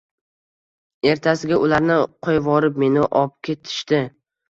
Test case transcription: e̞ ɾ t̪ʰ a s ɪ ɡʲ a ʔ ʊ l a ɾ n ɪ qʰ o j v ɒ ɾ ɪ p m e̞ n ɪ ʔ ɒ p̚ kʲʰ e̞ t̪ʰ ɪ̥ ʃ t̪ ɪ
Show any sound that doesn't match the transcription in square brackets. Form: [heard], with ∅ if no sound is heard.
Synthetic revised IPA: e̞ ɾ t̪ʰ a s ɪ ɡʲ a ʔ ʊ l a ɾ n ɪ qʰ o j v ɒ ɾ ɪ p m e̞ n ɪ ʔ ɒ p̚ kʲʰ e̞ t̪ʰ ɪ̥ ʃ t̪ ɪ